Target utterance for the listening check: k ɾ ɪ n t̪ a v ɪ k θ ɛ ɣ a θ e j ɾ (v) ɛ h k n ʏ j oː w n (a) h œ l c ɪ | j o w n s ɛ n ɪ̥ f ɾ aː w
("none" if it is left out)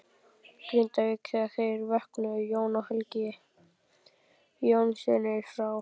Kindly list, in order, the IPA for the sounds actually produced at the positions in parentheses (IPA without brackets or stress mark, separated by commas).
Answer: v, a